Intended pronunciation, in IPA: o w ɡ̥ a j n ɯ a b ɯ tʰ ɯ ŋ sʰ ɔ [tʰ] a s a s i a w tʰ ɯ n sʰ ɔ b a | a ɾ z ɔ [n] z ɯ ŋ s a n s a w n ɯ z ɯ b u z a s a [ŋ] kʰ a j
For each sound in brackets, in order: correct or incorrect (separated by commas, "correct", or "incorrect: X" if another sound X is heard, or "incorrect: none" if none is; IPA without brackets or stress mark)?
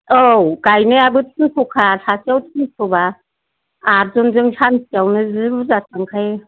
incorrect: kʰ, correct, correct